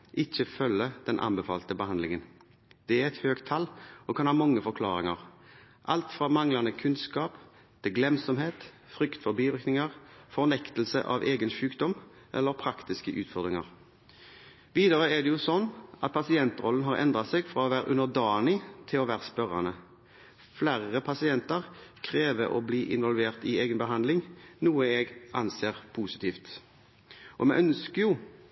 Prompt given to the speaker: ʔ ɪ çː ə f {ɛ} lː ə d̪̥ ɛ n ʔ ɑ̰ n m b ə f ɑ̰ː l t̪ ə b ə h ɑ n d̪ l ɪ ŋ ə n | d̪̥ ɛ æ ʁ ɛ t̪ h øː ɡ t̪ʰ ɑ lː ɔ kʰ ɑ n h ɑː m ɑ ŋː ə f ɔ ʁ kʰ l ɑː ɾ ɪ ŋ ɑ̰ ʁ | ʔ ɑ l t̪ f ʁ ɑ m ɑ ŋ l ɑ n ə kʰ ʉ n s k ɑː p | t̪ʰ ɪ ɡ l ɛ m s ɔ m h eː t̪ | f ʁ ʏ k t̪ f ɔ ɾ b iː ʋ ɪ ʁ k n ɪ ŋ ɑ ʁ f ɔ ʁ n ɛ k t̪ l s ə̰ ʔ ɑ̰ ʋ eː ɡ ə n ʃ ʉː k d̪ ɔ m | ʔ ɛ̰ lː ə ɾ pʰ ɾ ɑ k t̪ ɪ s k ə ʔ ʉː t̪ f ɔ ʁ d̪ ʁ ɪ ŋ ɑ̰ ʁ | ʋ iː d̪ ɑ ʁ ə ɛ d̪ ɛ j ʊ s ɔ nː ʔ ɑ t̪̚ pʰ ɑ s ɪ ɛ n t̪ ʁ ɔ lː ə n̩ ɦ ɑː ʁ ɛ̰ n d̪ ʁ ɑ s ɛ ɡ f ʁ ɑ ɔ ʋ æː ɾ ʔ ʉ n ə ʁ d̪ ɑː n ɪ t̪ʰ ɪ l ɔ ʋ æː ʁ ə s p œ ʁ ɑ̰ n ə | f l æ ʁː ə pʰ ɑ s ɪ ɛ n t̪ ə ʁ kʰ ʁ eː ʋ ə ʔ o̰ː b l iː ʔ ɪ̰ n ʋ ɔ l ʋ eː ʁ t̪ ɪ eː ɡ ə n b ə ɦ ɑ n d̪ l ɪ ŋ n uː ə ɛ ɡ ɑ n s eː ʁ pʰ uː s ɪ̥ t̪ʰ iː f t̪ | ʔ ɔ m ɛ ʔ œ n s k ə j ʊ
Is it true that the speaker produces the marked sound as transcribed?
no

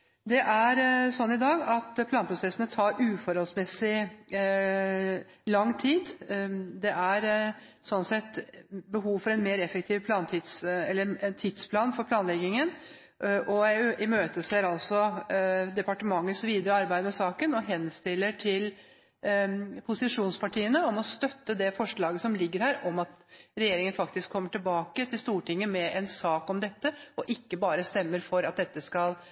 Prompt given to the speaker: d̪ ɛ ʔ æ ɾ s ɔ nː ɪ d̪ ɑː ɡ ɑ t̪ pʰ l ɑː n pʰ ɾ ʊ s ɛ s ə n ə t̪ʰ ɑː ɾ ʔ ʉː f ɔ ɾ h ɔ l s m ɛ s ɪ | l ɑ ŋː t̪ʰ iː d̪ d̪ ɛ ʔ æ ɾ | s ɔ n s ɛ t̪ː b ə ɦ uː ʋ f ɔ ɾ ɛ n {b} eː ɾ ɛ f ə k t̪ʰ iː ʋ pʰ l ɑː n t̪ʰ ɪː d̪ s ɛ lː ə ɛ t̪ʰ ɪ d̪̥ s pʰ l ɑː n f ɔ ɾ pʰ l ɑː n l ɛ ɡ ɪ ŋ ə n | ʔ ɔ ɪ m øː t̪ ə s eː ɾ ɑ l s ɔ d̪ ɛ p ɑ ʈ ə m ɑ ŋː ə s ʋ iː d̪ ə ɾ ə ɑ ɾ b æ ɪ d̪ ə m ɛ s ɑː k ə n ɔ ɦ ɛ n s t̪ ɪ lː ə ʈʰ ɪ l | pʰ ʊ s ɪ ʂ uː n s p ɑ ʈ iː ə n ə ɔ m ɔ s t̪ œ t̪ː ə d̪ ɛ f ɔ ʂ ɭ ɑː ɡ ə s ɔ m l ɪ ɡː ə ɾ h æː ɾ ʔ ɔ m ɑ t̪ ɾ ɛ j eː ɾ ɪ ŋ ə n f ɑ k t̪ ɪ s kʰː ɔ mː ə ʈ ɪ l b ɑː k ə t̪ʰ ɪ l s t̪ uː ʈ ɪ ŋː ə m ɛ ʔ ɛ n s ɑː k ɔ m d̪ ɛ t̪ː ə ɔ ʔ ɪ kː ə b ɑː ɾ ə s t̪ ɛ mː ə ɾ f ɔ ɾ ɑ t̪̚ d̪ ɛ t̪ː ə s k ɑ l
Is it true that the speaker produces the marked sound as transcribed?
no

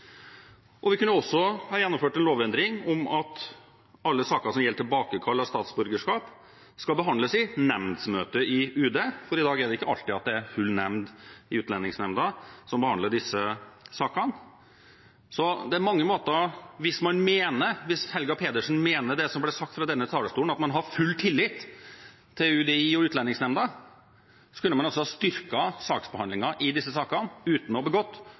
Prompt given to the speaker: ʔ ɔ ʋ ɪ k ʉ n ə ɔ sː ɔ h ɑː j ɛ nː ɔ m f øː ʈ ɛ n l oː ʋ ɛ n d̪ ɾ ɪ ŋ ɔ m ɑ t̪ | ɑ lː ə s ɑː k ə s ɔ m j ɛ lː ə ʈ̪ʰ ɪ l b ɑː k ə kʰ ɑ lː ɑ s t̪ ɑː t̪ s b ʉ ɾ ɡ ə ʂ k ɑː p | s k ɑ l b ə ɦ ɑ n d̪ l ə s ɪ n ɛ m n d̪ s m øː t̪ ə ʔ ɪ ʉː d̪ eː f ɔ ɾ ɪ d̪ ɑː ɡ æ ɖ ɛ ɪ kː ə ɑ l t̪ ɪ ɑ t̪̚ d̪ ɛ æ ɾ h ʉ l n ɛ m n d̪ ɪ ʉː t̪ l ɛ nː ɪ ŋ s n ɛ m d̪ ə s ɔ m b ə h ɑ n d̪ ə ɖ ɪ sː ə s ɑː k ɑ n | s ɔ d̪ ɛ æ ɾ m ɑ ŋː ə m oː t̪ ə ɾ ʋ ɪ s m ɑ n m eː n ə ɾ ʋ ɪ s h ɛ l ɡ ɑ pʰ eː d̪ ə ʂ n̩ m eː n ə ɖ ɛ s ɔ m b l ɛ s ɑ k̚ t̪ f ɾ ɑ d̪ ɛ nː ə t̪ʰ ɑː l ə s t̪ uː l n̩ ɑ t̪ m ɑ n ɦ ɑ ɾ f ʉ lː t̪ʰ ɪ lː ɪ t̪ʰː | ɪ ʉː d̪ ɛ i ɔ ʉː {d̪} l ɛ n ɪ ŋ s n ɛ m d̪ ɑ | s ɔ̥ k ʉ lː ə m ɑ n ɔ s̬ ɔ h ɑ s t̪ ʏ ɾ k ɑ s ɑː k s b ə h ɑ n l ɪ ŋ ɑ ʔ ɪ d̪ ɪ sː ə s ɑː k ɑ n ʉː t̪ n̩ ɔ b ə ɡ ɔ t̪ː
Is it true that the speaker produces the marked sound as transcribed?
no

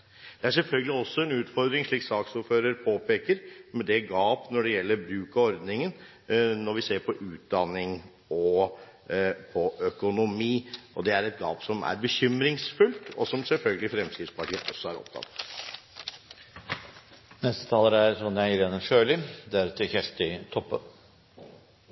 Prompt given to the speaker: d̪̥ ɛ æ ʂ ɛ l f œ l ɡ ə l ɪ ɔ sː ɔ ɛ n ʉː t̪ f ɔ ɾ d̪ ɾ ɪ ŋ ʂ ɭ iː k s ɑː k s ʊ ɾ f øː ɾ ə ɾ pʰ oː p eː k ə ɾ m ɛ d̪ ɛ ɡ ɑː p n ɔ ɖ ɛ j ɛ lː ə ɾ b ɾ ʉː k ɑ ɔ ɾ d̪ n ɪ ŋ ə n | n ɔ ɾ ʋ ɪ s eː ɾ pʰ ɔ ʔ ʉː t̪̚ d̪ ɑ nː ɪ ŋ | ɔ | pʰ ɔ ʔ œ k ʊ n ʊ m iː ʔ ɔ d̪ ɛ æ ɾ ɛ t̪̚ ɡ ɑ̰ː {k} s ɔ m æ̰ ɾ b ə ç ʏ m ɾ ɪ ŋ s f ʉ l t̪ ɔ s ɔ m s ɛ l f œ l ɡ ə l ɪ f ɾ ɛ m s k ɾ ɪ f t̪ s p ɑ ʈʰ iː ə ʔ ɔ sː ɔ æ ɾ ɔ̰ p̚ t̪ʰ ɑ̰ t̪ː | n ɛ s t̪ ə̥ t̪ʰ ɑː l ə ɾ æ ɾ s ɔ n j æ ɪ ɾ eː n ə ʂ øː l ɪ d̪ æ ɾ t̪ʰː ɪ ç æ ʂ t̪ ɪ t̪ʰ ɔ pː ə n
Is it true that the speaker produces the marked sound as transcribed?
no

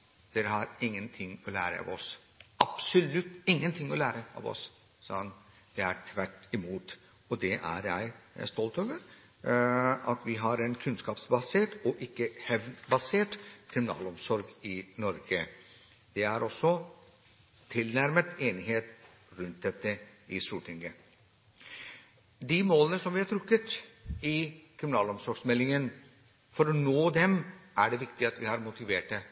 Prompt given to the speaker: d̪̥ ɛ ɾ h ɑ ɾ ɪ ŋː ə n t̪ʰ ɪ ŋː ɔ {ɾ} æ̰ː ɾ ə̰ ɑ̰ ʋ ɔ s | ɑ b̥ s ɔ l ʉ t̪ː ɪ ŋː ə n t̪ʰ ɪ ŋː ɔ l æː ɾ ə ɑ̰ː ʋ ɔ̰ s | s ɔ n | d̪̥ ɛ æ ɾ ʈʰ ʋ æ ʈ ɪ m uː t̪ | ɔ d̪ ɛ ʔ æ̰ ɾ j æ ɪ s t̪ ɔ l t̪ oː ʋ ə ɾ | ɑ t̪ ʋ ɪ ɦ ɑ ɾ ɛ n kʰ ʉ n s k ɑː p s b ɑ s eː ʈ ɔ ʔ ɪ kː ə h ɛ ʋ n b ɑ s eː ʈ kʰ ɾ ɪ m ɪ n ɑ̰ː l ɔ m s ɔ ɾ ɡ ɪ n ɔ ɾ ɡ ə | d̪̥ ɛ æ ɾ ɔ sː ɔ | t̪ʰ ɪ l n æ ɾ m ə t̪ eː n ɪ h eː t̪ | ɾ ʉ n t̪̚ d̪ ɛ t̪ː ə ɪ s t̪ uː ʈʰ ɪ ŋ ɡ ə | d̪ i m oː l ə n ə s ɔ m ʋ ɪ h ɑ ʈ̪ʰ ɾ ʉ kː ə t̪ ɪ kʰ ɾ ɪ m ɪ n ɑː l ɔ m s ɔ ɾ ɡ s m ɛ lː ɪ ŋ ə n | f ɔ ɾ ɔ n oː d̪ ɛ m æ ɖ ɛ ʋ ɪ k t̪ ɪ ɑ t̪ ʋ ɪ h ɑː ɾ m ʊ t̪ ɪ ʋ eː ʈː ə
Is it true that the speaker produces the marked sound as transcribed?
no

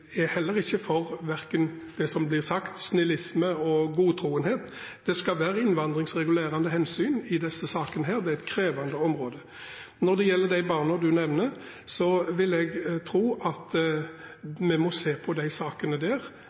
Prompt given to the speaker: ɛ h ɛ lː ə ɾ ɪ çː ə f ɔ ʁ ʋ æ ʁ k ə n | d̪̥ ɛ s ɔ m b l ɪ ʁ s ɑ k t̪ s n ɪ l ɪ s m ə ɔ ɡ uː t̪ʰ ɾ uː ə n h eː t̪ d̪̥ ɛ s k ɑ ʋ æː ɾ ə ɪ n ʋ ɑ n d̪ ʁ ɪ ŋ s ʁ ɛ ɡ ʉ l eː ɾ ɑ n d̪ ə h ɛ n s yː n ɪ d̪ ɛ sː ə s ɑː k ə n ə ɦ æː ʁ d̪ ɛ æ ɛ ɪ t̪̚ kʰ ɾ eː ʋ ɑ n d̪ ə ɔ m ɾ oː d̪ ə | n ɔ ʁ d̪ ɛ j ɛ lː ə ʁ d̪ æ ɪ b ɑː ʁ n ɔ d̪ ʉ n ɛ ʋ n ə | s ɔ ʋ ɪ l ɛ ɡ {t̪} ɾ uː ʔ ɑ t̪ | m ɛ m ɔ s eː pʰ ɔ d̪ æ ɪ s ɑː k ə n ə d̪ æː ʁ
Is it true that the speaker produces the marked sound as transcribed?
no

